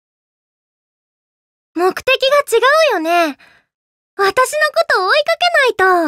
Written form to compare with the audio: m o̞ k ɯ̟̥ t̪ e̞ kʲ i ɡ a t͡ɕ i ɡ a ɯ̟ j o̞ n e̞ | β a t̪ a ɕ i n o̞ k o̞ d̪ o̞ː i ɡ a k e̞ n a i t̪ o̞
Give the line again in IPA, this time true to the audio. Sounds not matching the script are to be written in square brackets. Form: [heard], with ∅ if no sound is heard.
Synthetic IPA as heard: m o̞ k ɯ̟̥ t̪ e̞ kʲ i ɡ a t͡ɕ i ɡ a ɯ̟ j o̞ n e̞ | β a t̪ a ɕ i n o̞ k o̞ [t̪] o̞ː i [k] a k e̞ n a i t̪ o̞